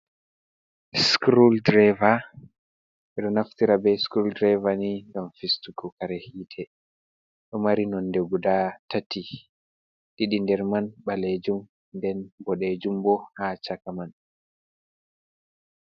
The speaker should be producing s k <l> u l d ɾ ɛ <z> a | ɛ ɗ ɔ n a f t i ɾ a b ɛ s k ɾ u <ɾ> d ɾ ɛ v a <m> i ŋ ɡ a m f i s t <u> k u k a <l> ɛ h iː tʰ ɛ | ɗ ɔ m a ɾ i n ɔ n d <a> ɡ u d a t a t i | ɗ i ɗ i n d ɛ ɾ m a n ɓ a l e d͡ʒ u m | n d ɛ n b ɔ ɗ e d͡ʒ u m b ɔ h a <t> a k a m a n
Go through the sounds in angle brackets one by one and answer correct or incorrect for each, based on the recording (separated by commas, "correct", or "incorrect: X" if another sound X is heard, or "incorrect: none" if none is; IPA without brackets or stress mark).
incorrect: ɾ, incorrect: v, incorrect: l, incorrect: n, correct, incorrect: ɾ, incorrect: ɛ, incorrect: t͡ʃ